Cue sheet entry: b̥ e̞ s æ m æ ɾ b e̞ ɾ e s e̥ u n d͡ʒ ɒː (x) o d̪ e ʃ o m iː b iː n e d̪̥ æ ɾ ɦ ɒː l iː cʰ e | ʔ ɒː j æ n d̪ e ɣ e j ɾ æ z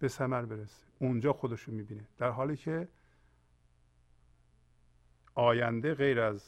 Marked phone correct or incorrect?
correct